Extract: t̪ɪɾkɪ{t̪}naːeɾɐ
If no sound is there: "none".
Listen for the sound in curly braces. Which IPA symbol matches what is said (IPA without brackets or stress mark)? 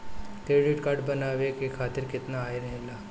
t̪